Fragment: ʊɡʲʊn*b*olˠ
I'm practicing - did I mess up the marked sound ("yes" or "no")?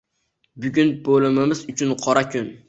no